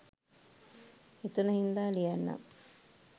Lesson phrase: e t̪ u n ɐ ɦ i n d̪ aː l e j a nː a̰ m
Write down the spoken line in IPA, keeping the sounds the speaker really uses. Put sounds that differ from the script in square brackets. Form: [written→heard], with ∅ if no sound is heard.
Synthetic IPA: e t̪ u n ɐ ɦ i n d̪ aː l [e→i] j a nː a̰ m

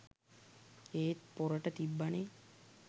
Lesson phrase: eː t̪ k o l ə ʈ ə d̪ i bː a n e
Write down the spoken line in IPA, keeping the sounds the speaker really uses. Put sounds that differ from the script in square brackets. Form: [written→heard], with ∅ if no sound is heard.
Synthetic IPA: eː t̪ [k→p] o [l→ɾ] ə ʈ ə [d̪→t̪] i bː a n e

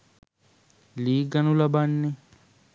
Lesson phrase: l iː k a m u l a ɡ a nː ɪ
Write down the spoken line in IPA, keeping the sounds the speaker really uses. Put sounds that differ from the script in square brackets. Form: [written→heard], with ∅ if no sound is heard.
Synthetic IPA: l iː [k→ɡ] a [m→n] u l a [ɡ→b] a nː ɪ

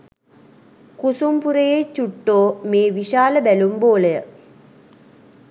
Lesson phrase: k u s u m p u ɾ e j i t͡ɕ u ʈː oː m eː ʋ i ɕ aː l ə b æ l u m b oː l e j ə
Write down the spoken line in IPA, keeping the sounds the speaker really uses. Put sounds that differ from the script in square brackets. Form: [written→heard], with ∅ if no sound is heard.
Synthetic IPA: k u s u m p u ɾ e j [i→e] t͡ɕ u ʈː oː m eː ʋ i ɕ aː l ə b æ l u m b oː l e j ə

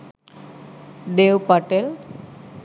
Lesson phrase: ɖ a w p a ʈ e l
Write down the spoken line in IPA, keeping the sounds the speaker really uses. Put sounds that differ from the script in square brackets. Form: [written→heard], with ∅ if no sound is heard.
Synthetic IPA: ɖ [a→e] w p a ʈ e l

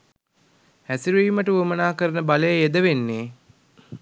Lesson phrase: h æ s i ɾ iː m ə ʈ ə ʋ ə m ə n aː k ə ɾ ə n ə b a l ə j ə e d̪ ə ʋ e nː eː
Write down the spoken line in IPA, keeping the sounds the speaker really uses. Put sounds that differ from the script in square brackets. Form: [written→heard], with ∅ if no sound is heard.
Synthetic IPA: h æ s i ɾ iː m ə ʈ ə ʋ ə m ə n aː k ə ɾ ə n ə b a l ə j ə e d̪ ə ʋ e nː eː

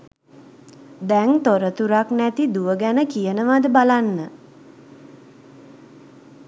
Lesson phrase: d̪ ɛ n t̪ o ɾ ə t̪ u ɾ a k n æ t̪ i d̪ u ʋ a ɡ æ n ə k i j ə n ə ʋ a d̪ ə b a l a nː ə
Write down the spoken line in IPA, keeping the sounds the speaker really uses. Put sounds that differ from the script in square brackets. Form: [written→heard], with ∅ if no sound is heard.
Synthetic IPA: d̪ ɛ [n→ŋ] t̪ o ɾ ə t̪ u ɾ a k n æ t̪ i d̪ u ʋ [a→ə] ɡ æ n ə k i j ə n ə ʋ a d̪ ə b a l a nː ə

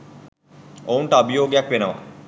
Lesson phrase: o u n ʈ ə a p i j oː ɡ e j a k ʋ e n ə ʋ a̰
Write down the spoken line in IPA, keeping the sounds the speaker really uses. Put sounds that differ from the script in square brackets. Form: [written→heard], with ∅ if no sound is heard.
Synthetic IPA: o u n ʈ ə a [p→b] i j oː ɡ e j a k ʋ e n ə ʋ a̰

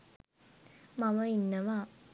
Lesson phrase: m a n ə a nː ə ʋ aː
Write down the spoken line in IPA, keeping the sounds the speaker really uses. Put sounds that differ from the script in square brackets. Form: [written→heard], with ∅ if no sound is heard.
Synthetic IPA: m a [n→m] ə [a→i] nː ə ʋ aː

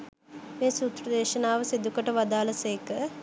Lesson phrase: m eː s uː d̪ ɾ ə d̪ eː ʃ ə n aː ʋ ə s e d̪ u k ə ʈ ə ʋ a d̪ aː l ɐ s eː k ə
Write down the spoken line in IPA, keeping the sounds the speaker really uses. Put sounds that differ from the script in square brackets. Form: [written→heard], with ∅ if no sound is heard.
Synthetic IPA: m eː s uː [d̪→t̪] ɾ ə d̪ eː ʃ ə n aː ʋ ə s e d̪ u k ə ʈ ə ʋ a d̪ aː l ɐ s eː k ə

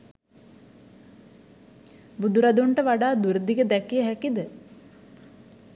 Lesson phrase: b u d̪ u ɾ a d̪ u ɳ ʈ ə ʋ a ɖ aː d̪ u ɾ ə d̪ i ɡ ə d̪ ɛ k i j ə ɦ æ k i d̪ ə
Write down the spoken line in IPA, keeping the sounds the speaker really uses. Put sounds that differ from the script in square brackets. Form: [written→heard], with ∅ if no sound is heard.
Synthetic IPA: b u d̪ u ɾ a d̪ u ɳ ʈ ə ʋ a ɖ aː d̪ u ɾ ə d̪ i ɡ ə d̪ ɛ k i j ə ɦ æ k i d̪ ə

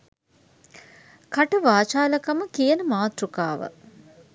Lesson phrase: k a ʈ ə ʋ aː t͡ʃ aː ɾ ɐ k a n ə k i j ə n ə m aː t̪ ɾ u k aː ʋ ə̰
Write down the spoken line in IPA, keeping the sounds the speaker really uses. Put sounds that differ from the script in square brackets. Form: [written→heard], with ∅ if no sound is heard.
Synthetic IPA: k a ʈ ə ʋ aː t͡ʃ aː [ɾ→l] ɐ k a [n→m] ə k i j ə n ə m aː t̪ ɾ u k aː ʋ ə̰

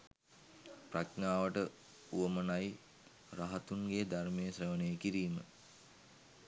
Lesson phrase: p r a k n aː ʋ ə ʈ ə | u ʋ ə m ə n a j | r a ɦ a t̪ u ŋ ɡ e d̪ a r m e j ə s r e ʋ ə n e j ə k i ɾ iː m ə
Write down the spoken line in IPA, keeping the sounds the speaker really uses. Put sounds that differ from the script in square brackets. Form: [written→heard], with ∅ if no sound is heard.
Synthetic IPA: p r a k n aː ʋ ə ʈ ə | u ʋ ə m ə n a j | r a ɦ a t̪ u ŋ ɡ e d̪ a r m e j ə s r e ʋ ə n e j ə k i ɾ iː m ə

